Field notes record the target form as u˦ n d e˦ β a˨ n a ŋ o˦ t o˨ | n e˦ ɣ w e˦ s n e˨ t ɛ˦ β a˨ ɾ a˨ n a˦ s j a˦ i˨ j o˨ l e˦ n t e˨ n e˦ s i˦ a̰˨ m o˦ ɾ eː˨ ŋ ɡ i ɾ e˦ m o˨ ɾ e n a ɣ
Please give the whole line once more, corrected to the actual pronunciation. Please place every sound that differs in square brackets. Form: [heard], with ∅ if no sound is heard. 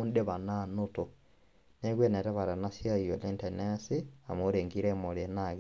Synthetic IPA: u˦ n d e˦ β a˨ n a [n] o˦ t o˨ | n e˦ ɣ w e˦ [∅] n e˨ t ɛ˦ β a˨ ɾ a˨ n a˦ s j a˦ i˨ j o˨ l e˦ n t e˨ n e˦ s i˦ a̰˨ m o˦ ɾ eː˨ ŋ ɡ i ɾ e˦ m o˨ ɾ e n a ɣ